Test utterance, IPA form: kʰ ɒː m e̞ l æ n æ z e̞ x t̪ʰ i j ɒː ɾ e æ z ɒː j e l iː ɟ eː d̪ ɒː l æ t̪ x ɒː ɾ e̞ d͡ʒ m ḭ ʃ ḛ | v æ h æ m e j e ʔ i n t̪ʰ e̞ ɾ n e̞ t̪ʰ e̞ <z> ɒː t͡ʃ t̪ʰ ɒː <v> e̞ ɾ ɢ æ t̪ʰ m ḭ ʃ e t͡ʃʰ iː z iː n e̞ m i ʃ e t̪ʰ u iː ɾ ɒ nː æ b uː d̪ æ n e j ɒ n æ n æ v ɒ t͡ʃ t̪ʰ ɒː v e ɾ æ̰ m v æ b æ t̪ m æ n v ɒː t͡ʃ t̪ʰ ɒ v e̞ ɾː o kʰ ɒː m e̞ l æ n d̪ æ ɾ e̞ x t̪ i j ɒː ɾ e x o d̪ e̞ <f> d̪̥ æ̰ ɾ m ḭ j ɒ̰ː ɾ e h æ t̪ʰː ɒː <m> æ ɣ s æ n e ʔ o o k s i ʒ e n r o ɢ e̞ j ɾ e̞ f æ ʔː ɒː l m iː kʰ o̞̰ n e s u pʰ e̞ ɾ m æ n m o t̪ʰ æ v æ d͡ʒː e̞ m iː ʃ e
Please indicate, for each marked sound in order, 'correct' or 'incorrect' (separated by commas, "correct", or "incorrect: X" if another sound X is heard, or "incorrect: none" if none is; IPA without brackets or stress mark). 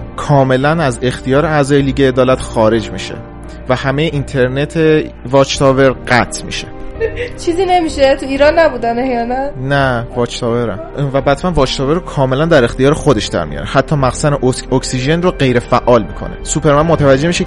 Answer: incorrect: v, correct, incorrect: ʃ, correct